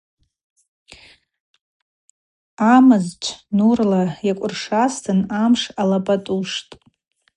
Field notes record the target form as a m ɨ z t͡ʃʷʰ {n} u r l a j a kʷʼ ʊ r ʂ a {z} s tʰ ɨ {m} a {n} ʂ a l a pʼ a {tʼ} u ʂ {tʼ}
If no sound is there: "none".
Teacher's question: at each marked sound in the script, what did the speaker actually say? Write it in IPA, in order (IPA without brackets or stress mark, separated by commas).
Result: n, none, n, m, tʼ, tʼ